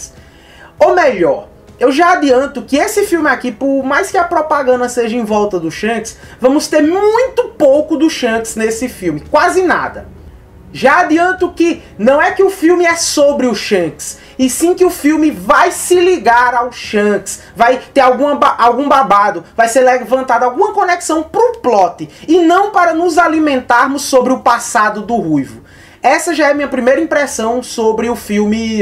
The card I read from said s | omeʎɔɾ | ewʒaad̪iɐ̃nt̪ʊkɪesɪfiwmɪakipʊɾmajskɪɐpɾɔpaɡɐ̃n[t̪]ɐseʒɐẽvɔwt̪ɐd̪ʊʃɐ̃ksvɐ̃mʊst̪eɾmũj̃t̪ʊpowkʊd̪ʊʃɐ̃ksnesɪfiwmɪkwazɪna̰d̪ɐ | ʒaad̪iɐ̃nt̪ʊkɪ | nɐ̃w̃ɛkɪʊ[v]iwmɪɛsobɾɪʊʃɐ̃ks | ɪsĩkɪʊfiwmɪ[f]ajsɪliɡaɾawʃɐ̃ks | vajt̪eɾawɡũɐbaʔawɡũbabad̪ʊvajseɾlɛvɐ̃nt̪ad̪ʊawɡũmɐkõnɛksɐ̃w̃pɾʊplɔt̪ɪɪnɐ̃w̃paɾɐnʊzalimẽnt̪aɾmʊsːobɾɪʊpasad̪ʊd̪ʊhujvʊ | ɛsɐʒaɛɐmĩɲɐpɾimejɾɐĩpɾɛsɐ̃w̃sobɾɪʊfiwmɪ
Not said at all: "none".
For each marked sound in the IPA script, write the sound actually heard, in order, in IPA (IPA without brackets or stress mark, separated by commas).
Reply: d̪, f, v